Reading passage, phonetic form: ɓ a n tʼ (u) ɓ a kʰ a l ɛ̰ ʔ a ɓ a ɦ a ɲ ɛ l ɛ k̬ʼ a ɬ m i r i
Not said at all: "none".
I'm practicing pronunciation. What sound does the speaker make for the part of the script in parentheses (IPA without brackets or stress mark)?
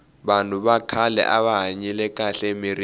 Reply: u